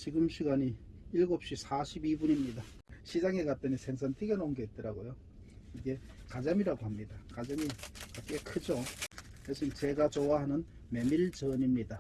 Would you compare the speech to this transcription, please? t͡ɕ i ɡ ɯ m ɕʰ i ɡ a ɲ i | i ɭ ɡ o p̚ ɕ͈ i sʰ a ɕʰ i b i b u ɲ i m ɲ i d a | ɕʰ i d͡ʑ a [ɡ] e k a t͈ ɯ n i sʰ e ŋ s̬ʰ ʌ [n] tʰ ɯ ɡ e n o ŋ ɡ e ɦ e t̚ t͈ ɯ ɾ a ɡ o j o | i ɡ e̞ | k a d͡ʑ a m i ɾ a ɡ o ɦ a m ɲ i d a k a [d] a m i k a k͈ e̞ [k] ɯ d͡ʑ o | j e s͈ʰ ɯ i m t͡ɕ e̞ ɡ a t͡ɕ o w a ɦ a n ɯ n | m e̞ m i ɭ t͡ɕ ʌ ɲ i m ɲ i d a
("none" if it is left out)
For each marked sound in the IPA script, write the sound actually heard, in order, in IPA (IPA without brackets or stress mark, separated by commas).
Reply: ŋ, n, d͡ʑ, kʰ